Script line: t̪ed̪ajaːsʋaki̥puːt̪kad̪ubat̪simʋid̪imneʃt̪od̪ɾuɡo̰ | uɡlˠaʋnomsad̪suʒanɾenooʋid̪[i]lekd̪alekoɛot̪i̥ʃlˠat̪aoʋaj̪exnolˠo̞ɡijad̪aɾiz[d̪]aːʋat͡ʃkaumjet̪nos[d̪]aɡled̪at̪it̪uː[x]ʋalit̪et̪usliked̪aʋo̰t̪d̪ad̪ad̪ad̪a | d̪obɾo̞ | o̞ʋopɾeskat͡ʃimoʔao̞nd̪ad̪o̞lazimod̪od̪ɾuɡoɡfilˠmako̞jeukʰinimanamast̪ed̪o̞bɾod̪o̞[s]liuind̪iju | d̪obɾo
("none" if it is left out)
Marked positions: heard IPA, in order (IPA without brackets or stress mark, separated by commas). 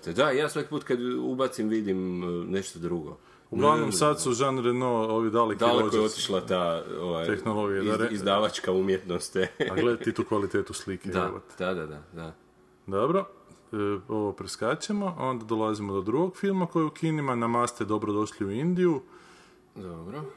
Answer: a, d̪, t̪, k, ʃ